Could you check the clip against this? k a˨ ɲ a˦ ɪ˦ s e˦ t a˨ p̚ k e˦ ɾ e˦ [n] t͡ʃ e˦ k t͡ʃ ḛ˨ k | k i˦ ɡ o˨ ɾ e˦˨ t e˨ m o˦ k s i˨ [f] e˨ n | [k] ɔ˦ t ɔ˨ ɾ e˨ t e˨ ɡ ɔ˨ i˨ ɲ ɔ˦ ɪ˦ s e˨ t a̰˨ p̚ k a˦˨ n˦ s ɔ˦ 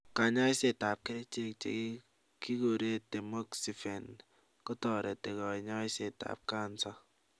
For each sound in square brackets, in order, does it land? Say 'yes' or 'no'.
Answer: no, yes, yes

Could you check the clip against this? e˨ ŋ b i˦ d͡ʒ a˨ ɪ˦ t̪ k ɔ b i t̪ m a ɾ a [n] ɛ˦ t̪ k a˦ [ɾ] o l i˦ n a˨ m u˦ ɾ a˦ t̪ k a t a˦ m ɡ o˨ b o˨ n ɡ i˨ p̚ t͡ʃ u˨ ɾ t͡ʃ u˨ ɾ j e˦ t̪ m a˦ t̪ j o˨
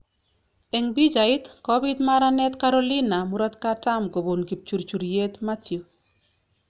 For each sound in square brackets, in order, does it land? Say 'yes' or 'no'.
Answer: yes, yes

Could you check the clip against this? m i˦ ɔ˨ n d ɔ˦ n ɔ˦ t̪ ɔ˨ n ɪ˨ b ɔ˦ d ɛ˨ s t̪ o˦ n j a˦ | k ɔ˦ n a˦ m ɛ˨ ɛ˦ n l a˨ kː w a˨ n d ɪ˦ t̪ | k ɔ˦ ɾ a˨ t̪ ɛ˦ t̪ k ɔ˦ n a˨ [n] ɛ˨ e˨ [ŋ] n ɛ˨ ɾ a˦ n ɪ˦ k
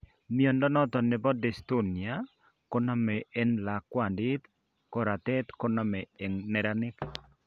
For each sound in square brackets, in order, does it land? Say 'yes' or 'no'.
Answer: no, yes

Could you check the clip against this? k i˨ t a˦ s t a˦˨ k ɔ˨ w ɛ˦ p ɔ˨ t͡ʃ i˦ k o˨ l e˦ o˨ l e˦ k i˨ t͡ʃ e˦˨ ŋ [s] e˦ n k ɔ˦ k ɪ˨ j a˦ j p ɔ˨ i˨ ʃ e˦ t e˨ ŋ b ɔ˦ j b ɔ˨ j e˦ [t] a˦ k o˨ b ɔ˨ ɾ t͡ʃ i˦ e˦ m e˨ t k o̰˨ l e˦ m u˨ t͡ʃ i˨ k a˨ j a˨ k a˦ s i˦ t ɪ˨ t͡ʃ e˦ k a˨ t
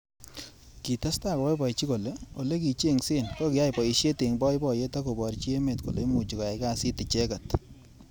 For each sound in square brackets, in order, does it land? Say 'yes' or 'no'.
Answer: yes, yes

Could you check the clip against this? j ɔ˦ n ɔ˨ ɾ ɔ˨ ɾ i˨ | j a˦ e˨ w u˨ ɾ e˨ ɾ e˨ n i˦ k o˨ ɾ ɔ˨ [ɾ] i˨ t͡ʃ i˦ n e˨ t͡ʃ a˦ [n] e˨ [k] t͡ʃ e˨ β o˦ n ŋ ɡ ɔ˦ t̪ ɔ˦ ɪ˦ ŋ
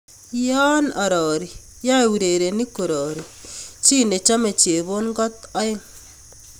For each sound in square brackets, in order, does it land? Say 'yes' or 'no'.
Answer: yes, no, no

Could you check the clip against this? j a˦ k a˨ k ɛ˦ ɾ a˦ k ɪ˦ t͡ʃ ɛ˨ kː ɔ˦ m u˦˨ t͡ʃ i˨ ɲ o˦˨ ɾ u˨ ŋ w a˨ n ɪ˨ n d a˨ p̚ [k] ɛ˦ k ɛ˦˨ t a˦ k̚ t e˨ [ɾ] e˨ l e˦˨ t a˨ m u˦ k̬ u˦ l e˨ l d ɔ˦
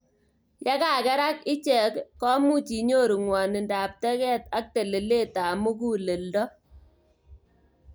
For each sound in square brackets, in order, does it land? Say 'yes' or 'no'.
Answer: no, no

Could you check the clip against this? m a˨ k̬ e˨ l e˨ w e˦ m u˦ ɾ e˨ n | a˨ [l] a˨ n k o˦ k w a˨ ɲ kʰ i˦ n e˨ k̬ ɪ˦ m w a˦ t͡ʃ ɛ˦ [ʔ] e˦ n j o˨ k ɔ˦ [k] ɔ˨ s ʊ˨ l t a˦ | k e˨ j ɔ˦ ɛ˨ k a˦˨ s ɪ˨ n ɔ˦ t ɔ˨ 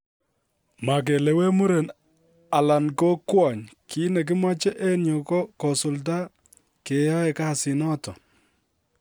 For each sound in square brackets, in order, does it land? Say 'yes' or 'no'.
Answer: yes, yes, yes

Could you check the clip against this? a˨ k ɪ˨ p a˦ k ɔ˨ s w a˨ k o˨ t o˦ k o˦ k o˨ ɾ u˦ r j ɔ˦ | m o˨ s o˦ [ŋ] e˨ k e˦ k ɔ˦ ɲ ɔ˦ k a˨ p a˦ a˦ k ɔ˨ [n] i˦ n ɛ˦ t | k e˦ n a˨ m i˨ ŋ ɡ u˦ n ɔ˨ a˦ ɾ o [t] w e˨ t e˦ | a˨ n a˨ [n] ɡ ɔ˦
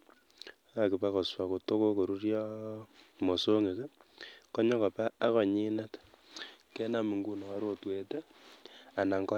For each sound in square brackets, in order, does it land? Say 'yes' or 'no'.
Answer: yes, no, yes, no

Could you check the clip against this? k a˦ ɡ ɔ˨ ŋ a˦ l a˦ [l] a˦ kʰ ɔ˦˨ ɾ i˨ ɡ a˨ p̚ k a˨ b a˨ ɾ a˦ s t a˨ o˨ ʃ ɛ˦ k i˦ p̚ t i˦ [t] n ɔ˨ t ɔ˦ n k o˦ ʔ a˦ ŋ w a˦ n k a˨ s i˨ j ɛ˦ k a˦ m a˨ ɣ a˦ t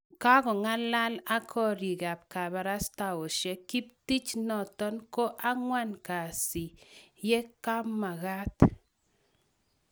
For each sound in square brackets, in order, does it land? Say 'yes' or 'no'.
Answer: yes, no

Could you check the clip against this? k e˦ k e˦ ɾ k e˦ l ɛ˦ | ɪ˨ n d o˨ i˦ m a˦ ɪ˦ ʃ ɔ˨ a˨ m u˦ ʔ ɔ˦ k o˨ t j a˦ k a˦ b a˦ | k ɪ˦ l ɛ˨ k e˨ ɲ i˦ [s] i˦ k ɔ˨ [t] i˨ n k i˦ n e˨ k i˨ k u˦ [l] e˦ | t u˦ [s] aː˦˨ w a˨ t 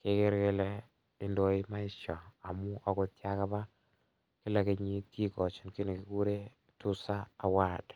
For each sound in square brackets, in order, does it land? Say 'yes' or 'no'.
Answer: no, no, no, yes

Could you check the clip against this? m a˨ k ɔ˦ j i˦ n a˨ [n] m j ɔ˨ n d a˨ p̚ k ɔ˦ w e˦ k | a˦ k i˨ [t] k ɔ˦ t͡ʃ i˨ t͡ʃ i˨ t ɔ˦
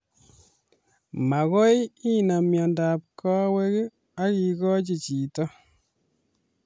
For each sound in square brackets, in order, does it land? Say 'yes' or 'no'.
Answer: no, no

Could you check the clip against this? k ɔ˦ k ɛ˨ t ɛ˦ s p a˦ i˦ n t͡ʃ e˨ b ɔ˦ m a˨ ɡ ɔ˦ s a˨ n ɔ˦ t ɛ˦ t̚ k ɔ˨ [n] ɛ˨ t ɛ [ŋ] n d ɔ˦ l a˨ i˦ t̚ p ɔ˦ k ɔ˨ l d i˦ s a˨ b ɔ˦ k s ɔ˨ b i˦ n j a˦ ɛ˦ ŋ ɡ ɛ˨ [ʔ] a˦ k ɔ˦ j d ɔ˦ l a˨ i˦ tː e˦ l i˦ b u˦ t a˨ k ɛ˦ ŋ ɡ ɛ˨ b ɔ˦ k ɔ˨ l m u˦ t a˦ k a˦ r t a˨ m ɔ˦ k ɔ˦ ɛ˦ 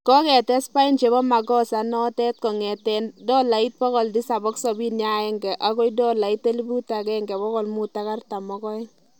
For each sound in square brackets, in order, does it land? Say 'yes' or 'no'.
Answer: no, no, yes

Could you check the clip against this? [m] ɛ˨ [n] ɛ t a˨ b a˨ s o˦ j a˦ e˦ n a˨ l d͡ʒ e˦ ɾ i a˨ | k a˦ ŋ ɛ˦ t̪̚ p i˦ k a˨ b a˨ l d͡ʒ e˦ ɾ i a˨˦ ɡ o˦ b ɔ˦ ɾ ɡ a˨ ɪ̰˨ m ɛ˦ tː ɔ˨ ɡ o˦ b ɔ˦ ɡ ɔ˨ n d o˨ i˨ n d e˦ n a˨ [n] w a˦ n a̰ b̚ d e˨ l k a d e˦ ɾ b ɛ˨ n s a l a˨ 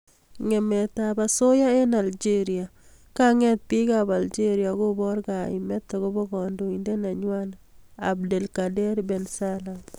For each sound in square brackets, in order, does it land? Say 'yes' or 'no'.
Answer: no, no, no

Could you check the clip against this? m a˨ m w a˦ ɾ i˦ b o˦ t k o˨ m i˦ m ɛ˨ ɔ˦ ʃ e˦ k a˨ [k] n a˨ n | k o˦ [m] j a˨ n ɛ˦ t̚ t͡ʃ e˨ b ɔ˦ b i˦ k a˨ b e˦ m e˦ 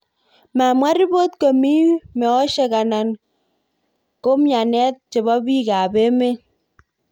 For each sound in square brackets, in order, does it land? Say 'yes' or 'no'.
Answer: no, yes

